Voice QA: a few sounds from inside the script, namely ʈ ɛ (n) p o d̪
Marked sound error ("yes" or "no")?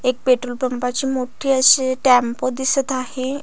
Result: yes